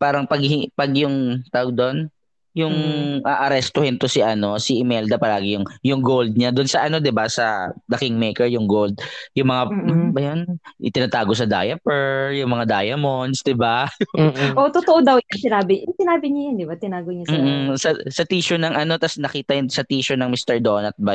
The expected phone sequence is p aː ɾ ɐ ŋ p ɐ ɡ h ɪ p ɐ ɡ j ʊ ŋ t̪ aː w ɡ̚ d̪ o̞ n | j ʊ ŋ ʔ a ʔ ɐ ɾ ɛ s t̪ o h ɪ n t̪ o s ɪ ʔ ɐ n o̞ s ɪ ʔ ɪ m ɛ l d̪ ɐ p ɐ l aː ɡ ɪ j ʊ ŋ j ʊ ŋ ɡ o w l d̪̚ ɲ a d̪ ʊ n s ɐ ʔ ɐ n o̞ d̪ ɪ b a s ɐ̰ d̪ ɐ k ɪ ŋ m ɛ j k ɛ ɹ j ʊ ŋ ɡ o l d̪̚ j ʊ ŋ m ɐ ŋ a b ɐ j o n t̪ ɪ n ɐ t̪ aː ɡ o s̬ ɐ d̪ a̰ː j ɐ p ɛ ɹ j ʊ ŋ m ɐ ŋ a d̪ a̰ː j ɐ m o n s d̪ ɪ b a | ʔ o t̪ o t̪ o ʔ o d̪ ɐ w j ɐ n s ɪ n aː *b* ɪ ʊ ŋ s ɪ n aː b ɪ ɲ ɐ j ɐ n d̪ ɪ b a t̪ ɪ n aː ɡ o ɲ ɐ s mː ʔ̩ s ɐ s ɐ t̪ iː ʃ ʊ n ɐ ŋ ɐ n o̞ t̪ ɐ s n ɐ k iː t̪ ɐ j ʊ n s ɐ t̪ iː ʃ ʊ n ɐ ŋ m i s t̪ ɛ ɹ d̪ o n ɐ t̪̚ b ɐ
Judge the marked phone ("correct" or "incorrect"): correct